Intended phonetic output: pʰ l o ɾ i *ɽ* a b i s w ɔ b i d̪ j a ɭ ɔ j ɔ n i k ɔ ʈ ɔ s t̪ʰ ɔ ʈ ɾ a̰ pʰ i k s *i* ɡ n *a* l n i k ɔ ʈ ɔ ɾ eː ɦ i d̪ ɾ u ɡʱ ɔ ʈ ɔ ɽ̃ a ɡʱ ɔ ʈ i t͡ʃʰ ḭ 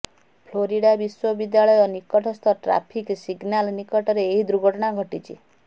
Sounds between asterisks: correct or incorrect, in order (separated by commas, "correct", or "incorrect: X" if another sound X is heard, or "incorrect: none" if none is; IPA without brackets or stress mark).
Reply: correct, correct, correct